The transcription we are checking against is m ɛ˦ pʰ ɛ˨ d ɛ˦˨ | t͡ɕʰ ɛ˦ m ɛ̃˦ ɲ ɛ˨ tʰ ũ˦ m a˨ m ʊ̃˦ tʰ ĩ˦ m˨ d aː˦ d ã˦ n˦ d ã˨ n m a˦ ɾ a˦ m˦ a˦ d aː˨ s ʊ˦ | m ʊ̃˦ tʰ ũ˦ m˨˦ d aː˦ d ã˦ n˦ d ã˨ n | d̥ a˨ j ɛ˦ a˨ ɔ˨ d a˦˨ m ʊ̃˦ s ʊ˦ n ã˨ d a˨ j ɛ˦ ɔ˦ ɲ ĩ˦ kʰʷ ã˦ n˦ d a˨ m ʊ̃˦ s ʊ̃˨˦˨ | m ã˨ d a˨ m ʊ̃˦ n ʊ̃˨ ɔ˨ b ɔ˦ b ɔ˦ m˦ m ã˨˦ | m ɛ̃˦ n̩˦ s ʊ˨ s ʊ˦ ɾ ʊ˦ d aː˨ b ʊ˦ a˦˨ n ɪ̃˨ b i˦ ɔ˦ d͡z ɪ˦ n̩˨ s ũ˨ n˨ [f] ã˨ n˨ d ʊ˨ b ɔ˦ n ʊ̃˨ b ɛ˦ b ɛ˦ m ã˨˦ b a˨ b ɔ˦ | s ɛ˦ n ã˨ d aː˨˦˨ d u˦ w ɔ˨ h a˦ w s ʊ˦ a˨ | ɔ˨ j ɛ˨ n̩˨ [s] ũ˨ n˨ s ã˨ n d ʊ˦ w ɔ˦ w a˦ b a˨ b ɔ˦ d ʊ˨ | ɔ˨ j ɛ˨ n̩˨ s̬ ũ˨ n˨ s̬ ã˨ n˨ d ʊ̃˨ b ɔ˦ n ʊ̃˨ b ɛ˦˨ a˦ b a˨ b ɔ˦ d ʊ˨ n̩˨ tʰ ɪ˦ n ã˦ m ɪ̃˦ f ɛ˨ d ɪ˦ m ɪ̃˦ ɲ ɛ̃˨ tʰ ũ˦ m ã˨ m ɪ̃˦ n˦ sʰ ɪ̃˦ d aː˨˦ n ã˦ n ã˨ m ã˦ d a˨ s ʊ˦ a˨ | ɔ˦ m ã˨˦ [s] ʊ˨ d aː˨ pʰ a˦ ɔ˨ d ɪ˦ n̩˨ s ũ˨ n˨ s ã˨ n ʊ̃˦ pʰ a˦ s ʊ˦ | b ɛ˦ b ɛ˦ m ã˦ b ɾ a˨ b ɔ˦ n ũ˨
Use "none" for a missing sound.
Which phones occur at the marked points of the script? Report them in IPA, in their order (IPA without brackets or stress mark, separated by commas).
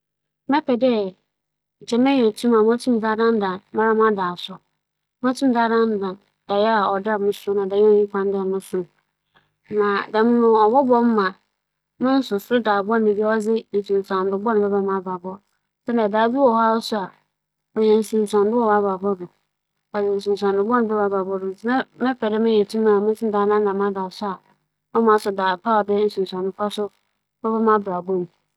s, s, s